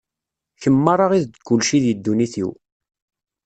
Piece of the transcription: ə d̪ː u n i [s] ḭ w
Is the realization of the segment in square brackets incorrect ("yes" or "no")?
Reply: yes